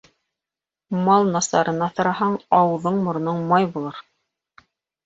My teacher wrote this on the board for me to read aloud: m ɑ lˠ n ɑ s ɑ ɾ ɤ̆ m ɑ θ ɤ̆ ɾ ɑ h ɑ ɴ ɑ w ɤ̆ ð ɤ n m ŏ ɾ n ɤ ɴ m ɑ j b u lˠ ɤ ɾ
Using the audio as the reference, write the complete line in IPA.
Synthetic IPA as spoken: m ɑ lˠ n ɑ s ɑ ɾ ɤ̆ n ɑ θ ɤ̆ ɾ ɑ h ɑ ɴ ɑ w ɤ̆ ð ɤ ɴ m ŏ ɾ n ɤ ɴ m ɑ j b u lˠ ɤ ɾ